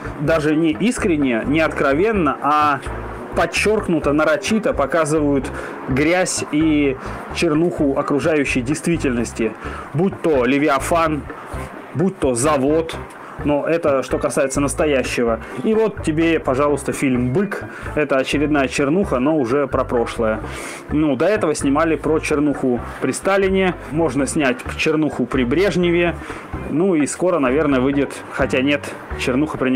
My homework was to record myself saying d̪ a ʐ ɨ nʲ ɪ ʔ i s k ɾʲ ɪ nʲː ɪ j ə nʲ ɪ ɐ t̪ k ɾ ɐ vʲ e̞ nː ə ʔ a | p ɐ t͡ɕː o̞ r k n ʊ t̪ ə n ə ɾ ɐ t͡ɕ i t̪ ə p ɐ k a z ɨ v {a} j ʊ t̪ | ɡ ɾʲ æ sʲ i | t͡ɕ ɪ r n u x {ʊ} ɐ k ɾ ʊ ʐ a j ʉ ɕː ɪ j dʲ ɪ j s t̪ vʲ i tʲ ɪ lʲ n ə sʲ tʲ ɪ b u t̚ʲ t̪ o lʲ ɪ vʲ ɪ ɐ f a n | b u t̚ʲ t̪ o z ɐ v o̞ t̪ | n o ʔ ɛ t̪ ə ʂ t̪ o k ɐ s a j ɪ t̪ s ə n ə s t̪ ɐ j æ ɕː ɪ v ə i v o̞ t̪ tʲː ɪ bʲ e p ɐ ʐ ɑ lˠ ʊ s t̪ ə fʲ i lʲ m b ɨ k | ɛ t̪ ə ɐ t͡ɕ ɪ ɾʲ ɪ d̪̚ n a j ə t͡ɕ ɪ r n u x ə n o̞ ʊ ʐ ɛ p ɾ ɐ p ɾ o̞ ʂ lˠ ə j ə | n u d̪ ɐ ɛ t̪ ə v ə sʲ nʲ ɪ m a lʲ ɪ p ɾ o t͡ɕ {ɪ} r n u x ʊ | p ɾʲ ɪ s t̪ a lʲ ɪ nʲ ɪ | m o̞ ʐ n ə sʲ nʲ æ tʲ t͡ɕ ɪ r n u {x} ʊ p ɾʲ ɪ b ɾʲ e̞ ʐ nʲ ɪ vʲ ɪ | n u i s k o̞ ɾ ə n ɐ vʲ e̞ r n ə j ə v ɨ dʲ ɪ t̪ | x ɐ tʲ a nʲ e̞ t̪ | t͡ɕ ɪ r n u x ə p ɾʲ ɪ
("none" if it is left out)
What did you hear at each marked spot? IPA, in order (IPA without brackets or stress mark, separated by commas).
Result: ə, ʊ, ɪ, x